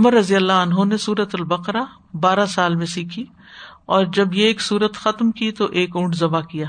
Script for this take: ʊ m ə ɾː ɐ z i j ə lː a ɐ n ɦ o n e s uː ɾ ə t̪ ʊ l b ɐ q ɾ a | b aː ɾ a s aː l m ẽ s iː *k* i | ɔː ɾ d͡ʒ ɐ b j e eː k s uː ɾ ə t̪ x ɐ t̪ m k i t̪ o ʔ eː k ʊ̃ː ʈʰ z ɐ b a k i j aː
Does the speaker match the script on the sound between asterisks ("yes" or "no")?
no